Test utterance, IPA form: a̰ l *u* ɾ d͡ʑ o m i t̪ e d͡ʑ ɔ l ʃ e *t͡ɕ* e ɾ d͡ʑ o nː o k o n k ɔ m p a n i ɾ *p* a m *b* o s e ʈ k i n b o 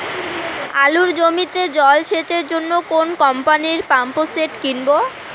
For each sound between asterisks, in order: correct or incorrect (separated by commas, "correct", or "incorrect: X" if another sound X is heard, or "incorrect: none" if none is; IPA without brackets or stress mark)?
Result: correct, correct, correct, incorrect: p